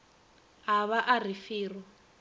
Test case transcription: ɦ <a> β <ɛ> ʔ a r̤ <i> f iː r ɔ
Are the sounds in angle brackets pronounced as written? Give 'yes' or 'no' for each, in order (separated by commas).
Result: yes, no, yes